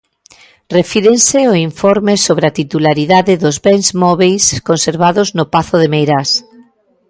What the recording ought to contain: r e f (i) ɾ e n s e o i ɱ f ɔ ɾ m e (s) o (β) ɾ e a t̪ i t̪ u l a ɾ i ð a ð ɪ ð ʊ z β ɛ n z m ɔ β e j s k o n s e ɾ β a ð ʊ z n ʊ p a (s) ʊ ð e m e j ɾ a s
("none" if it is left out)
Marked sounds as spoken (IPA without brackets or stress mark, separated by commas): i, s, β, θ